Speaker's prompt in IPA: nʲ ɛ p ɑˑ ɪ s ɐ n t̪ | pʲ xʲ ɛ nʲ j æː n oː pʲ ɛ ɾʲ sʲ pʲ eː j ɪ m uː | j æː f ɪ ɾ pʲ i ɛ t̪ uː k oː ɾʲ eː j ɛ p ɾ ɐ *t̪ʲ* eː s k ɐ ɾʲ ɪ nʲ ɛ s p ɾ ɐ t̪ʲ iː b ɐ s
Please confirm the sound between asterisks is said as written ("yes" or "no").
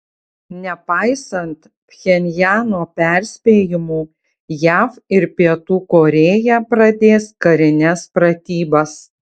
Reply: no